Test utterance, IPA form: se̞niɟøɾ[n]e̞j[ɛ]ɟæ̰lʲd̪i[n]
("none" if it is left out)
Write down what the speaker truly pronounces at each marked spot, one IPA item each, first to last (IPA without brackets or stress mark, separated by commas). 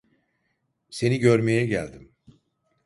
m, ɛ, m